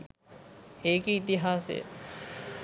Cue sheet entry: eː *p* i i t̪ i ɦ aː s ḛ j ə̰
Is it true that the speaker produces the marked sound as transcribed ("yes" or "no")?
no